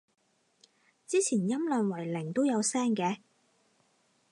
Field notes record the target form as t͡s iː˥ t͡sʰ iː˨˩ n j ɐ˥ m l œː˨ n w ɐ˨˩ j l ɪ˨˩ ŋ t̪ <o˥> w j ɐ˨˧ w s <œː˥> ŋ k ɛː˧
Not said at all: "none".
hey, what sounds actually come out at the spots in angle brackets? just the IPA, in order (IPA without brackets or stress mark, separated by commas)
o˥, ɛː˥